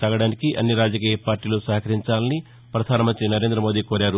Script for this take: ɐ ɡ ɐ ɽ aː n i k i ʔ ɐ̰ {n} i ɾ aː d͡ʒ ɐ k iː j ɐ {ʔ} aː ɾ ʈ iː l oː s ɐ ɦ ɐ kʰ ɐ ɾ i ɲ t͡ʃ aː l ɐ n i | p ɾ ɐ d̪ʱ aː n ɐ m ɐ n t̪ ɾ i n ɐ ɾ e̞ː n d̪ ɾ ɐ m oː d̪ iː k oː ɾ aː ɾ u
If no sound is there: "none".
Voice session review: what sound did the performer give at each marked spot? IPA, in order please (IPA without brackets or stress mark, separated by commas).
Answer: nː, p